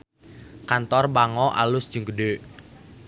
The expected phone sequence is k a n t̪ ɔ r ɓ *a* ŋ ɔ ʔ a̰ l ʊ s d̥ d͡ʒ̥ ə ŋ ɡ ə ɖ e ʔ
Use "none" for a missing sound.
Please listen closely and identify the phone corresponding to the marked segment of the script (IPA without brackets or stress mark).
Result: a